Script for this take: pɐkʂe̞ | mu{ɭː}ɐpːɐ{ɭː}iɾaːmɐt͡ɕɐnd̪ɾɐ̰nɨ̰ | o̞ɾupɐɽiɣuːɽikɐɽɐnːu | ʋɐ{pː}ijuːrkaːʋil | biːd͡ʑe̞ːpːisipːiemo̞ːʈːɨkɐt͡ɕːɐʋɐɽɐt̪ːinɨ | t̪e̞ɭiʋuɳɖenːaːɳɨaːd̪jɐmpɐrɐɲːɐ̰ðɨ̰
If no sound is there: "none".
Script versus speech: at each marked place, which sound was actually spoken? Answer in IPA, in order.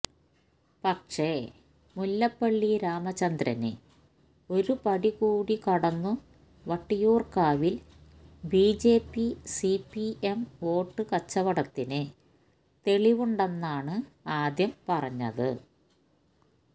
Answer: lː, ɭː, ʈː

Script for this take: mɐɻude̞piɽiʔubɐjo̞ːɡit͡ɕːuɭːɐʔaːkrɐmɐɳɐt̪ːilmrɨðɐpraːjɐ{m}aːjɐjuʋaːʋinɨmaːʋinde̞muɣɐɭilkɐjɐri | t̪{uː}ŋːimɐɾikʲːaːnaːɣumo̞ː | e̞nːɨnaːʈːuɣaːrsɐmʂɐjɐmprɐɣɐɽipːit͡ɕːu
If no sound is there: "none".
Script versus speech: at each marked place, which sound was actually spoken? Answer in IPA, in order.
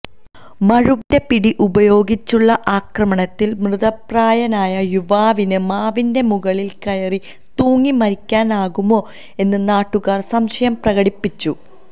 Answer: n, uː

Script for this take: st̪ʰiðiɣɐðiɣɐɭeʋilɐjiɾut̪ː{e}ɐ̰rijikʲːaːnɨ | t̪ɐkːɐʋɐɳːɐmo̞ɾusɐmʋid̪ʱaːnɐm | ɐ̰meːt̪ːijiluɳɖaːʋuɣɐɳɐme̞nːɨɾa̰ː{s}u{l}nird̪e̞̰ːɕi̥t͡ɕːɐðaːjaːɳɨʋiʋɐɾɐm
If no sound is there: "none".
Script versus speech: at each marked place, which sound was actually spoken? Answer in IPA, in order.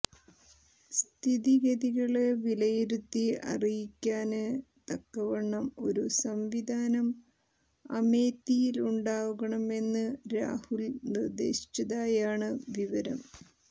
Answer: i, h, l

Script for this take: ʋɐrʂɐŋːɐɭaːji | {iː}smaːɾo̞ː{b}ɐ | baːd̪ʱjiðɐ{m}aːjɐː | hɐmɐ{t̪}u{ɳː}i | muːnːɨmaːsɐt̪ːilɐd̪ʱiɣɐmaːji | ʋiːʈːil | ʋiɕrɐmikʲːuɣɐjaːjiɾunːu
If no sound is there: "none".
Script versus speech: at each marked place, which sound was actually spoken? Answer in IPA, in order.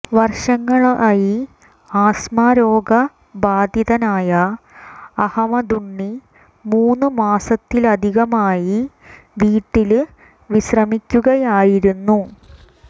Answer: aː, ɡ, n, d̪, ɳː

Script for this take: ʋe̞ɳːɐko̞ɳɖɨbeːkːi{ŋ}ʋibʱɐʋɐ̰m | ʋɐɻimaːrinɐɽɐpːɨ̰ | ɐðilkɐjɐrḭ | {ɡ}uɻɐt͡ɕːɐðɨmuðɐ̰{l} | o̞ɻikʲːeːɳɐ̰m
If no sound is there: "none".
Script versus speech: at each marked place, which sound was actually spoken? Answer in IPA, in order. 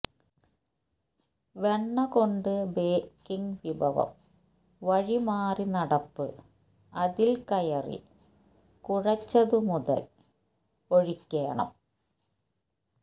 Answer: ŋ, k, l

